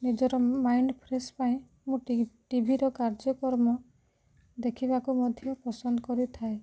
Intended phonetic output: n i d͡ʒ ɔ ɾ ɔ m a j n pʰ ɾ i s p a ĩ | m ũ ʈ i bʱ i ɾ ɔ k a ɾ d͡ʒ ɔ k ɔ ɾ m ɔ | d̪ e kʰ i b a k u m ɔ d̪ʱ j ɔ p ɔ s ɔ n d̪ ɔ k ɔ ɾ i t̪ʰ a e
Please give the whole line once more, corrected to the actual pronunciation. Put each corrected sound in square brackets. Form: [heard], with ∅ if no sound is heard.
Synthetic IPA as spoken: n i d͡ʒ ɔ ɾ ɔ m a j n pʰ ɾ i s p a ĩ | m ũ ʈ i bʱ i ɾ ɔ k a ɾ d͡ʒ ɔ k ɔ ɾ m ɔ | d̪ e kʰ i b a k u m ɔ d̪ʱ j ɔ p ɔ s ɔ n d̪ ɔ k ɔ ɾ i t̪ʰ a e

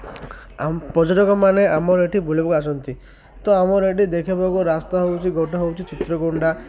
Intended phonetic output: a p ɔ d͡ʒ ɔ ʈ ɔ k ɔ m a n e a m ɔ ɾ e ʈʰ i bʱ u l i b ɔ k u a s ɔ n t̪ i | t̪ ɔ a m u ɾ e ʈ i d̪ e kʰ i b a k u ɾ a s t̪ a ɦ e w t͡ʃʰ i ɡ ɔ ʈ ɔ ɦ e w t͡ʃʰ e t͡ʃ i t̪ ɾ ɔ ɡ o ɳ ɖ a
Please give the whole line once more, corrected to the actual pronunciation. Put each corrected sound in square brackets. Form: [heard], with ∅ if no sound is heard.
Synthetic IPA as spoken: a p ɔ d͡ʒ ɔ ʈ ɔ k ɔ m a n e a m ɔ ɾ e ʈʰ i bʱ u l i b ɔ k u a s ɔ n t̪ i | t̪ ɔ a m [ɔ] ɾ e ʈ i d̪ e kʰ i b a k u ɾ a s t̪ a ɦ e w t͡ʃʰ i ɡ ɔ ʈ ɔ ɦ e w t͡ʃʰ [i] t͡ʃ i t̪ ɾ ɔ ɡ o ɳ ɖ a

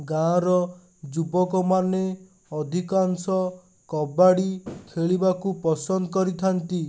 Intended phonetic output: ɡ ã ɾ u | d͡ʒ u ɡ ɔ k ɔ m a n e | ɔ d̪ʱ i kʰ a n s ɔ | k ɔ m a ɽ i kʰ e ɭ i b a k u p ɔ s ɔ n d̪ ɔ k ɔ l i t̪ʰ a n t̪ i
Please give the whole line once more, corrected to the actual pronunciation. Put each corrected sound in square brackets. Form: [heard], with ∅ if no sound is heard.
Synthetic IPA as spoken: ɡ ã ɾ [ɔ] | d͡ʒ u [b] ɔ k ɔ m a n e | ɔ d̪ʱ i [k] a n s ɔ | k ɔ [b] a ɽ i kʰ e ɭ i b a k u p ɔ s ɔ n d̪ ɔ k ɔ [ɾ] i t̪ʰ a n t̪ i

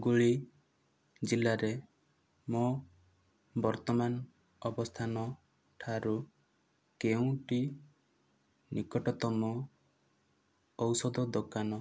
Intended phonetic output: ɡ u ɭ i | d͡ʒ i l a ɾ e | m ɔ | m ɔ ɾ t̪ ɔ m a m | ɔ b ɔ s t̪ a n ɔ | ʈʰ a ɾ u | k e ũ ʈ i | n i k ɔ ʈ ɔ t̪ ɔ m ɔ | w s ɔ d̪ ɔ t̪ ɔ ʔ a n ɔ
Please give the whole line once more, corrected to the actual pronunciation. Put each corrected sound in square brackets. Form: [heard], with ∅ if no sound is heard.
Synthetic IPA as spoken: ɡ u ɭ i | d͡ʒ i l a ɾ e | m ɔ | [b] ɔ ɾ t̪ ɔ m a [n] | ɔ b ɔ s [t̪ʰ] a n ɔ | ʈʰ a ɾ u | k e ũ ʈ i | n i k ɔ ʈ ɔ t̪ ɔ m ɔ | w s ɔ d̪ ɔ [d̪] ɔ [k] a n ɔ

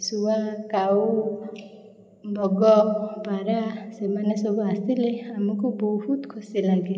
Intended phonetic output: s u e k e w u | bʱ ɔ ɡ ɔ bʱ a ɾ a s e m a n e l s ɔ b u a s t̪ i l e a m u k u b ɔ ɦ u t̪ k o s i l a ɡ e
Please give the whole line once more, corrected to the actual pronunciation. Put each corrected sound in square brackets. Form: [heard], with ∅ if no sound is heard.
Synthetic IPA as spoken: s u [a] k [a] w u | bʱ ɔ ɡ ɔ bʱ a ɾ a s e m a n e [∅] s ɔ b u a s t̪ i l e a m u k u b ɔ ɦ u t̪ [kʰ] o s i l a ɡ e

